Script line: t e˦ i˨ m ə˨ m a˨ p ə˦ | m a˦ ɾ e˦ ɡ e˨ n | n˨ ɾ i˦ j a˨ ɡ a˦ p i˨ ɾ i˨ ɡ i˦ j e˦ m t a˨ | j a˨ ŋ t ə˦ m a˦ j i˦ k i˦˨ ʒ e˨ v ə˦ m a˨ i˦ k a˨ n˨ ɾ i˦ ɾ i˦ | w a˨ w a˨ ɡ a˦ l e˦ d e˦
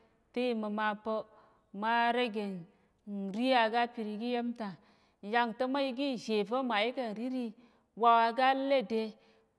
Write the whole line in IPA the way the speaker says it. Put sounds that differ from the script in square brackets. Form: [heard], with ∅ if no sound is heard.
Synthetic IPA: t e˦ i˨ m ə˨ m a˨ p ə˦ | m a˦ ɾ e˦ ɡ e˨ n | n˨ ɾ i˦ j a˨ ɡ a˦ p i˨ ɾ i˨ ɡ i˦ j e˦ m t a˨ | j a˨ ŋ t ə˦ m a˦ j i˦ [ɡ] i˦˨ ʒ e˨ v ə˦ m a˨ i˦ k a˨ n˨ ɾ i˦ ɾ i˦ | w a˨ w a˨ ɡ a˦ l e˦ d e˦